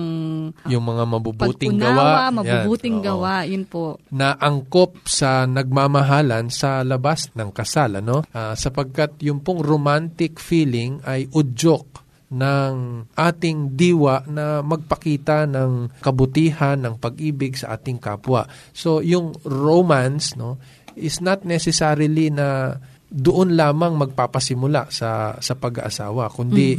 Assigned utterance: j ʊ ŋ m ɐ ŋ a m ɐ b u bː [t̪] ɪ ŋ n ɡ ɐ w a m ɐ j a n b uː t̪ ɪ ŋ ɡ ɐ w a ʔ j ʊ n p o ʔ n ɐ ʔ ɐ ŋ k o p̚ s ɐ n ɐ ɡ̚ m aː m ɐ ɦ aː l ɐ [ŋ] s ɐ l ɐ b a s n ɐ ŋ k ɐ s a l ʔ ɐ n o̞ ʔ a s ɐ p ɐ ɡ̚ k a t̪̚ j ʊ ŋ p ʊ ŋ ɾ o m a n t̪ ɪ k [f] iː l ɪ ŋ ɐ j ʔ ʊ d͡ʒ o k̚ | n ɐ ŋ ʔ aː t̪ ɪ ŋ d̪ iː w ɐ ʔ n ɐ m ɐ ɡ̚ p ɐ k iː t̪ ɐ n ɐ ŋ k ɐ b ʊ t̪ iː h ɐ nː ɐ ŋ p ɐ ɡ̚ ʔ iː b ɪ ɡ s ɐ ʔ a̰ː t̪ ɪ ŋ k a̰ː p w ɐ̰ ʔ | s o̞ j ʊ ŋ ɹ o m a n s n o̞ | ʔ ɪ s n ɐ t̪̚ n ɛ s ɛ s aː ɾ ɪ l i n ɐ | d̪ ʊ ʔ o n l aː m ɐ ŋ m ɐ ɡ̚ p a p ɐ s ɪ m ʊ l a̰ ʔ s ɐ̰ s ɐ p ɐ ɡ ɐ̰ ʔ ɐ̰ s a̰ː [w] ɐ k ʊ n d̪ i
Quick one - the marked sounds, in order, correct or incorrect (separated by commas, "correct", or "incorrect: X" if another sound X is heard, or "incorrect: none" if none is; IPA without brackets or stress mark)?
correct, incorrect: n, correct, correct